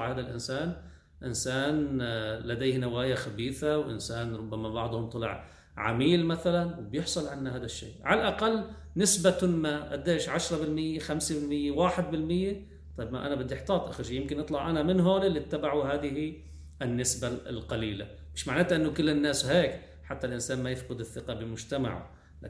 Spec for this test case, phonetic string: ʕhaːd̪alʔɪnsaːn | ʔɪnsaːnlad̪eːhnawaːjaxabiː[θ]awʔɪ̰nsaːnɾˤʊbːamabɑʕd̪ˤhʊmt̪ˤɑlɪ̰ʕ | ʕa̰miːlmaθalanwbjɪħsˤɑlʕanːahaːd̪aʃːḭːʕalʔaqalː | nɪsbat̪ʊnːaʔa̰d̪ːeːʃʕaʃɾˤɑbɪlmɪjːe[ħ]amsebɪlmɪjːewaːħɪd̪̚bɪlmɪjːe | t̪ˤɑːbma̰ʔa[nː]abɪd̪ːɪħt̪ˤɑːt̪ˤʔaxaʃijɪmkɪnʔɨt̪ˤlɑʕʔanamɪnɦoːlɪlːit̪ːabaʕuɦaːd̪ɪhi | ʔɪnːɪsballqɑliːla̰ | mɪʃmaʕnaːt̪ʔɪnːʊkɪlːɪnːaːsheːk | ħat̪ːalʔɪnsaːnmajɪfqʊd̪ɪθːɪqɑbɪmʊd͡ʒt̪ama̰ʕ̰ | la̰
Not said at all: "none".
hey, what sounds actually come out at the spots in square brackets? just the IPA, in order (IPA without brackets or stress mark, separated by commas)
θ, x, n